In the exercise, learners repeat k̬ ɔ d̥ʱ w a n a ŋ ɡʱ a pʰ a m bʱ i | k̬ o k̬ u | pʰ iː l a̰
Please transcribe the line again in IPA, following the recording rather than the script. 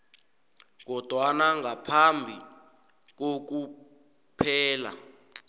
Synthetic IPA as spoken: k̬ ɔ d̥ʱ w a n a ŋ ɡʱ a pʰ a m bʱ i | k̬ o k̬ u | pʰ ɛː l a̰